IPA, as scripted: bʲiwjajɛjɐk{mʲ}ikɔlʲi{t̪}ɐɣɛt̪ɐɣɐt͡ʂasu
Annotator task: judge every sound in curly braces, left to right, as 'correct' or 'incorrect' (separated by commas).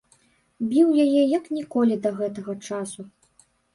incorrect, incorrect